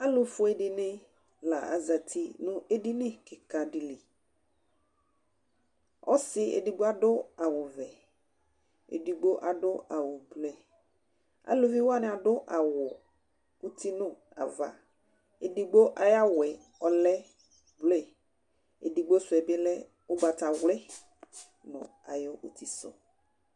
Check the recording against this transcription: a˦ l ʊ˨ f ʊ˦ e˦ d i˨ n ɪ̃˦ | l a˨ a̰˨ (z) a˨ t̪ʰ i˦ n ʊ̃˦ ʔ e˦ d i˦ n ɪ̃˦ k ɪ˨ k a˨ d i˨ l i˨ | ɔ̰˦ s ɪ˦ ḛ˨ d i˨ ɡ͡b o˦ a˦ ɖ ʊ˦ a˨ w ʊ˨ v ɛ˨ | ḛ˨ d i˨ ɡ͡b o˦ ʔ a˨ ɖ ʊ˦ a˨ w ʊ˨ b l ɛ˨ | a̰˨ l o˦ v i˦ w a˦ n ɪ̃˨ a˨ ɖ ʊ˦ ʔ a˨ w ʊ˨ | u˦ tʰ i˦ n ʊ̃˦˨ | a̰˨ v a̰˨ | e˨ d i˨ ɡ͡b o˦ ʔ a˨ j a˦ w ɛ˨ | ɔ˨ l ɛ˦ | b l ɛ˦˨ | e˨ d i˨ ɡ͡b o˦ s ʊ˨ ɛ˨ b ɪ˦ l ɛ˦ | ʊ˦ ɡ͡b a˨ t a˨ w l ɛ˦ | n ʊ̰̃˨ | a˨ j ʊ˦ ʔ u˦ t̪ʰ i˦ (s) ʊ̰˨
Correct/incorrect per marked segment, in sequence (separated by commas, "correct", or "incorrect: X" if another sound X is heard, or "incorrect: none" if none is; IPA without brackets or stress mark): correct, correct